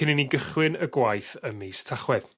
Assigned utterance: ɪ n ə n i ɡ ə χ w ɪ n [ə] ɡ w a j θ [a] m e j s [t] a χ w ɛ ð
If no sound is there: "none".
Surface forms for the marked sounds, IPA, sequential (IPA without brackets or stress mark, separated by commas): ə, ə, tʰ